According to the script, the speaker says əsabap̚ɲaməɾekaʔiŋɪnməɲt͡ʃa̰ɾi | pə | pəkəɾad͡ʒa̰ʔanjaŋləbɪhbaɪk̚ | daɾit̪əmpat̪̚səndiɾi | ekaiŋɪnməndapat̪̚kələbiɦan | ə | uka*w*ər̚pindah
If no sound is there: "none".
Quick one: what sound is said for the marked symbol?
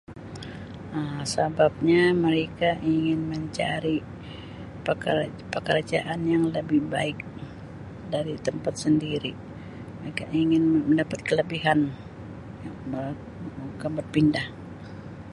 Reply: b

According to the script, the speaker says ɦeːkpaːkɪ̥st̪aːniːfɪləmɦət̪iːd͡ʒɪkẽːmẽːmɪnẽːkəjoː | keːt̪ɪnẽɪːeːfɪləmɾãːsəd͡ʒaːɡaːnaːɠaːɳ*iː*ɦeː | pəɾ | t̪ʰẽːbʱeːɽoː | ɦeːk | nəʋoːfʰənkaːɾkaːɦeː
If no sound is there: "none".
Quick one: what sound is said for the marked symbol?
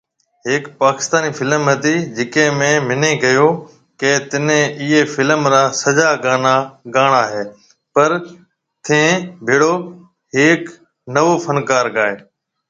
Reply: aː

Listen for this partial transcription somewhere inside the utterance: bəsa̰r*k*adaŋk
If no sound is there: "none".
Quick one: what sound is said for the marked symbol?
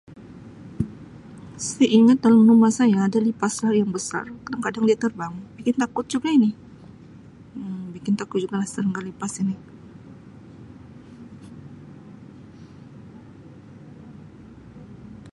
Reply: k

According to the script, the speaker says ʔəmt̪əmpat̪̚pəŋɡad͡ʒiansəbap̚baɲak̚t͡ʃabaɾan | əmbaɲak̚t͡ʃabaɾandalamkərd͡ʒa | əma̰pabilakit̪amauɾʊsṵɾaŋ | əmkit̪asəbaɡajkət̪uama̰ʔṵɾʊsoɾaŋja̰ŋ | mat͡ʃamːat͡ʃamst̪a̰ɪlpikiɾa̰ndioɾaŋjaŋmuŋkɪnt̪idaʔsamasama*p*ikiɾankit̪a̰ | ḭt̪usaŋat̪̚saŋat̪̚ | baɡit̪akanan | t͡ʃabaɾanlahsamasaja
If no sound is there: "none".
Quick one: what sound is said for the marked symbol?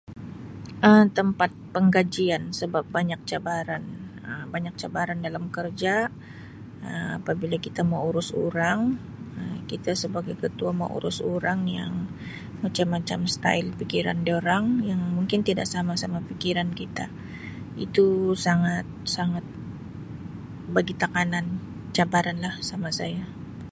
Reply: p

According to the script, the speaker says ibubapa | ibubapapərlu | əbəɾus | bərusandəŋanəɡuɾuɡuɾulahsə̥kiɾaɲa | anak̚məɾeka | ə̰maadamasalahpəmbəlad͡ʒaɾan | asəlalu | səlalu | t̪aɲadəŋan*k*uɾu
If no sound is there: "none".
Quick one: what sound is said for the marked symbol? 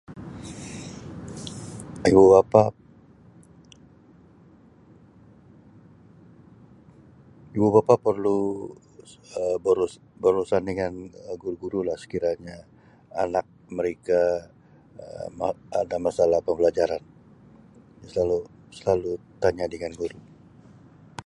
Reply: ɡ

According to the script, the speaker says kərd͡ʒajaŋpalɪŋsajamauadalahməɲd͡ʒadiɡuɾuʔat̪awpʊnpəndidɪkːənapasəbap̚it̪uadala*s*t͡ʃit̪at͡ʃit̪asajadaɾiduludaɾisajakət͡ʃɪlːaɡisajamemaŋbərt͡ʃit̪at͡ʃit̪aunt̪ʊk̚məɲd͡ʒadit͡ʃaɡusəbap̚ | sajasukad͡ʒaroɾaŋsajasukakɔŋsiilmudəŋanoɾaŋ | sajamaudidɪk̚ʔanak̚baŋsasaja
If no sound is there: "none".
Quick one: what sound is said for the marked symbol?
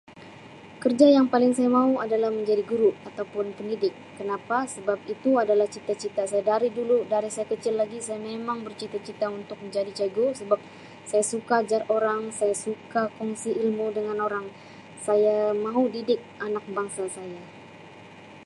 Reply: h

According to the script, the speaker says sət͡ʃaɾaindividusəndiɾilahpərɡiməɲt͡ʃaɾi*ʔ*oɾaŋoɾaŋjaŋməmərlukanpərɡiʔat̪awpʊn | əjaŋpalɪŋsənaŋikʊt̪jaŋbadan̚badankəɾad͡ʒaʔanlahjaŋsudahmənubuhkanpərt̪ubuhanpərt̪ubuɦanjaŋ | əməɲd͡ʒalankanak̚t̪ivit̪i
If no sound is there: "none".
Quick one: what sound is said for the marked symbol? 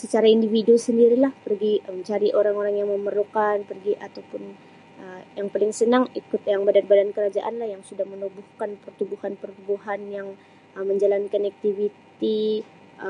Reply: ʔ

